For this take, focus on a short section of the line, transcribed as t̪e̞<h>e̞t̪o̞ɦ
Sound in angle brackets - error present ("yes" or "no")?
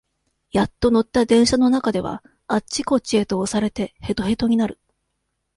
no